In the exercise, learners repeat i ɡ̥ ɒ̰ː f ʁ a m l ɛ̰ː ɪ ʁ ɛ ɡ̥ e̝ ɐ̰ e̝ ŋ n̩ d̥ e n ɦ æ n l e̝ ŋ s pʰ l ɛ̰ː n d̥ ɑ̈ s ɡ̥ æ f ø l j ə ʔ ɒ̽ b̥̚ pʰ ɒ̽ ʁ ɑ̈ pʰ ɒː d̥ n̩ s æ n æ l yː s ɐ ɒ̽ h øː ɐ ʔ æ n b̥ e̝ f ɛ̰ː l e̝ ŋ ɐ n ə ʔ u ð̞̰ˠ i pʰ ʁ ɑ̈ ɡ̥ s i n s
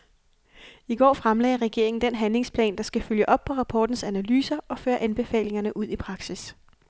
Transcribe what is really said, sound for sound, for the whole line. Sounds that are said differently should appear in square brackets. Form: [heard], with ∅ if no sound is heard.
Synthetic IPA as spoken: i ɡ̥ ɒ̰ː f ʁ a m l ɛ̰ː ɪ ʁ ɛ ɡ̥ e̝ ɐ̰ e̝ ŋ n̩ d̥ e n ɦ æ n l e̝ ŋ s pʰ l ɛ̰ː n d̥ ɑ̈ s ɡ̥ æ f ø l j ə ʔ ɒ̽ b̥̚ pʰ ɒ̽ ʁ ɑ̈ pʰ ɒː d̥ n̩ s æ n æ l yː s ɐ ɒ̽ [f] øː ɐ ʔ æ n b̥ e̝ f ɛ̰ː l e̝ ŋ ɐ n ə ʔ u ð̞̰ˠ i pʰ ʁ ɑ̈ ɡ̥ s i [∅] s

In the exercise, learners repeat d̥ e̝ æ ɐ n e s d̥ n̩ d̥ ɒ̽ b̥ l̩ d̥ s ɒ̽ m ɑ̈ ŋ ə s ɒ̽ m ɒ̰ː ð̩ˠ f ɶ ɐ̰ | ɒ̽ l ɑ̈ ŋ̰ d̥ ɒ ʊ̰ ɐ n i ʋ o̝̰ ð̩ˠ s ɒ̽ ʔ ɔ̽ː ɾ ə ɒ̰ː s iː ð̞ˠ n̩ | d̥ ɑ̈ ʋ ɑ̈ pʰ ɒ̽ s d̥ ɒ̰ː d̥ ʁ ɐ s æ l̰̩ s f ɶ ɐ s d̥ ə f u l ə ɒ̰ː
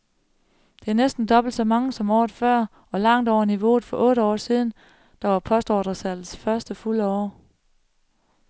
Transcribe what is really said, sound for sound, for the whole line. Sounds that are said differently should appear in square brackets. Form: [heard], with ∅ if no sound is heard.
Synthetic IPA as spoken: d̥ e̝ æ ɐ n e s d̥ n̩ d̥ ɒ̽ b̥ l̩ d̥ s ɒ̽ m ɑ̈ ŋ ə s ɒ̽ m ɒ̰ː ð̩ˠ f ɶ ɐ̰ | ɒ̽ l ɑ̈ ŋ̰ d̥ ɒ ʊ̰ ɐ n i ʋ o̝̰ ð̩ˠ [f] ɒ̽ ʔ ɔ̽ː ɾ ə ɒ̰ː s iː ð̞ˠ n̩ | d̥ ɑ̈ ʋ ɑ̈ pʰ ɒ̽ s d̥ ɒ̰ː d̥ ʁ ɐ s æ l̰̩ s f ɶ ɐ s d̥ ə f u l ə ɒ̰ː

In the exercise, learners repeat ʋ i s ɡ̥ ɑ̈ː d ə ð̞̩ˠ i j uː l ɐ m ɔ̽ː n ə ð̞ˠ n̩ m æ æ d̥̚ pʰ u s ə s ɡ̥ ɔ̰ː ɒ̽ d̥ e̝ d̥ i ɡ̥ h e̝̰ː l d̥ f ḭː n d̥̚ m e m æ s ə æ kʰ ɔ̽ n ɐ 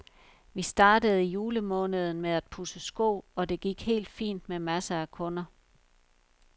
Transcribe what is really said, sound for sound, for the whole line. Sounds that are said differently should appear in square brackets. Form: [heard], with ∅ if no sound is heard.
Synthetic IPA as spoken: ʋ i s [d̥] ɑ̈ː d ə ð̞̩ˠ i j uː l [ə] m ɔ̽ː n ə ð̞ˠ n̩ m [e] æ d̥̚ pʰ u s ə s ɡ̥ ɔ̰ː ɒ̽ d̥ e̝ [ɡ̥] i ɡ̥ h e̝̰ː l d̥ f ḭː n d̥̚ m e m æ s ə æ kʰ ɔ̽ n ɐ

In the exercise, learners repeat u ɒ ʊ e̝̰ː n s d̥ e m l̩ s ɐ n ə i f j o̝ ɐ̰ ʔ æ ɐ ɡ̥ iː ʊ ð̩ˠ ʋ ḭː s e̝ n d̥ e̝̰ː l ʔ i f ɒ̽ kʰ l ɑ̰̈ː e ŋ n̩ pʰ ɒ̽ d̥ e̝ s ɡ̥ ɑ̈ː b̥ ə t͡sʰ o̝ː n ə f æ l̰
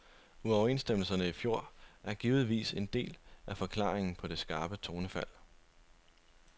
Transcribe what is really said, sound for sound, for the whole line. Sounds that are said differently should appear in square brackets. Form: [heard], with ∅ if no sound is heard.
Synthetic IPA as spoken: u ɒ ʊ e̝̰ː n s d̥ e m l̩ s ɐ n ə i f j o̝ ɐ̰ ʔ æ ɐ ɡ̥ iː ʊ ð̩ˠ ʋ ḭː s e̝ n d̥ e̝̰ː l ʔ [æ] f ɒ̽ kʰ l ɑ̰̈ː e ŋ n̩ pʰ ɒ̽ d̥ e̝ s ɡ̥ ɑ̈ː b̥ ə t͡sʰ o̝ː n ə f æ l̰

